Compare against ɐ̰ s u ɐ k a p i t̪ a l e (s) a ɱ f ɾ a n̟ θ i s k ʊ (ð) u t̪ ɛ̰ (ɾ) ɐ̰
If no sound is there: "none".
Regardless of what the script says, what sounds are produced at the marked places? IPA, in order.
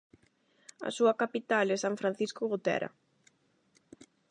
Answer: s, ɣ, ɾ

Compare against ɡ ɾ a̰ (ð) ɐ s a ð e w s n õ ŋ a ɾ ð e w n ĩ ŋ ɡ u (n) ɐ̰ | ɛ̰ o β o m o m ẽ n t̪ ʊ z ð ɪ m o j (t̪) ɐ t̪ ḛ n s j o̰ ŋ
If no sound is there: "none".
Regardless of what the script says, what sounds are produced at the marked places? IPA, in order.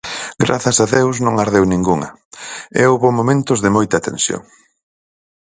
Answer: θ, ŋ, t̪

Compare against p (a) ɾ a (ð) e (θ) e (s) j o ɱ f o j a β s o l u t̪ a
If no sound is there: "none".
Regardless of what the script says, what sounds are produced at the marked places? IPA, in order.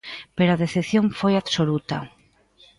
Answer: e, ð, θ, θ

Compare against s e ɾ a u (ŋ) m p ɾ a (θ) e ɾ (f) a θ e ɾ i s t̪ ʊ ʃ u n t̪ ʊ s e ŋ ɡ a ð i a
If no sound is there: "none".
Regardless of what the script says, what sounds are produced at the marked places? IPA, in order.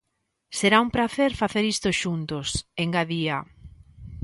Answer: none, θ, f

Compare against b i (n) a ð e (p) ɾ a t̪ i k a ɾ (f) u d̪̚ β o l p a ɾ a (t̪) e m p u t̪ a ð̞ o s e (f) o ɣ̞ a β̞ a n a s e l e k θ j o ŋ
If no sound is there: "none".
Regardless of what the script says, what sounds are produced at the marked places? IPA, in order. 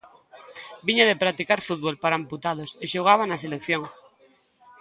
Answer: ɲ, p, f, none, ʃ

